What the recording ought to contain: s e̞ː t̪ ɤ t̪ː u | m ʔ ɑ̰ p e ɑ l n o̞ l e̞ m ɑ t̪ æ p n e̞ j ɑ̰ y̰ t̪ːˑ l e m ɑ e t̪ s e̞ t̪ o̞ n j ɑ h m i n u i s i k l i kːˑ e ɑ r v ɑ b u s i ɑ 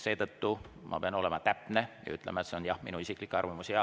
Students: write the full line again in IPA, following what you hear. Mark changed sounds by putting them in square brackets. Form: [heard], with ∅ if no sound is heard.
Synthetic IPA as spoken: s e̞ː t̪ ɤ t̪ː u | m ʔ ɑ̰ p e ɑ [∅] n o̞ l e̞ m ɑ t̪ æ p n e̞ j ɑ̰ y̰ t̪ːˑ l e m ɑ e t̪ s e̞ [∅] o̞ n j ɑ h m i n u i s i k l i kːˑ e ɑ r v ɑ [m] u s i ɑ